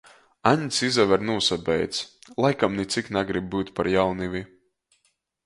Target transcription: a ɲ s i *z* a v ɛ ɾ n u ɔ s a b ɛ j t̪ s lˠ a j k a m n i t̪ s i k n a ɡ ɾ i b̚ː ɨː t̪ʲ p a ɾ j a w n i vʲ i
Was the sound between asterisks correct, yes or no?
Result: yes